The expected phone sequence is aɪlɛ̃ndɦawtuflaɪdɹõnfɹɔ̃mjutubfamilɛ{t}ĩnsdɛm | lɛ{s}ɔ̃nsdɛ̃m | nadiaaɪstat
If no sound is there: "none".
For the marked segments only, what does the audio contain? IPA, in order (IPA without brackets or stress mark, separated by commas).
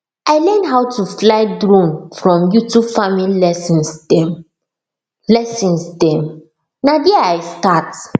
s, s